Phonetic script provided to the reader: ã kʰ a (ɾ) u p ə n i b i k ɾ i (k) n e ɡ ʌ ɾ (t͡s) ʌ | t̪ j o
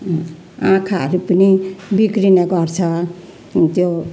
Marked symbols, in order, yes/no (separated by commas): yes, no, no